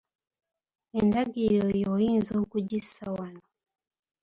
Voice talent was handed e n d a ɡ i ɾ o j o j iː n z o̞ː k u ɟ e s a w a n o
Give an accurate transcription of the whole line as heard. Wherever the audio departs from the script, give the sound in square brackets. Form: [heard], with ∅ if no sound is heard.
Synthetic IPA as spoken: e n d a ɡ i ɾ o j o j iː n z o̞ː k u ɟ [i] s a w a n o